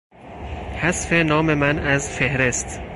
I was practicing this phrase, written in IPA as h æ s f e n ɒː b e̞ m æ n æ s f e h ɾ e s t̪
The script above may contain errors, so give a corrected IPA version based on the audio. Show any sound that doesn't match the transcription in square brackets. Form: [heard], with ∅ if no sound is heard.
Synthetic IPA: h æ s f e n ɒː [m] e̞ m æ n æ [z] f e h ɾ e s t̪